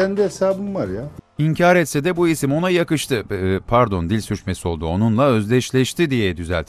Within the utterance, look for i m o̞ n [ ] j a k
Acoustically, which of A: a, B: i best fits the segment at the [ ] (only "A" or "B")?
A